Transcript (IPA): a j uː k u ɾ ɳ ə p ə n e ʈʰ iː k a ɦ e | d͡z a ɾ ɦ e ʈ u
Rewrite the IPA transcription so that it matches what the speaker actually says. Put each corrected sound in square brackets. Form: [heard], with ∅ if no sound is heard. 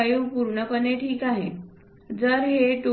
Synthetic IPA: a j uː [p] u ɾ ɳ ə p ə n e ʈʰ iː k a ɦ e | d͡z [ə] ɾ ɦ e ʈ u